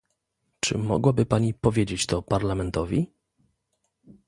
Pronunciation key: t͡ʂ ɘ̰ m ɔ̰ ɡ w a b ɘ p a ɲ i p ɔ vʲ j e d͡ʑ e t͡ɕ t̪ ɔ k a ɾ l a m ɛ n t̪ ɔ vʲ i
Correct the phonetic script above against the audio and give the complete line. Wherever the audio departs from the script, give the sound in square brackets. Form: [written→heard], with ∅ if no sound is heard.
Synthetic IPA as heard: t͡ʂ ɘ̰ m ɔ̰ ɡ w a b ɘ p a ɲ i p ɔ vʲ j e d͡ʑ e t͡ɕ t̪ ɔ [k→p] a ɾ l a m ɛ n t̪ ɔ vʲ i